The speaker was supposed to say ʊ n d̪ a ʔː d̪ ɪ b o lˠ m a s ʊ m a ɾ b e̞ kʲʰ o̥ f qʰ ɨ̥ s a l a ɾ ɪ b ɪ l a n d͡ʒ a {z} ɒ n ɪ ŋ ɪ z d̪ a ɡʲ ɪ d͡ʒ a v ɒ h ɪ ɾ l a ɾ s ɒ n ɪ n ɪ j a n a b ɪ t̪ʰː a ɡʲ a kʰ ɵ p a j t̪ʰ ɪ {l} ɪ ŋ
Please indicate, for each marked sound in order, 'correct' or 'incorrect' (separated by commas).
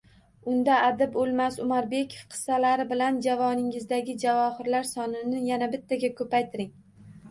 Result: incorrect, incorrect